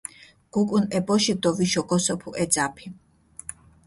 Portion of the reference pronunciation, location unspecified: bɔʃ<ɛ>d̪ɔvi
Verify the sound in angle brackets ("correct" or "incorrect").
incorrect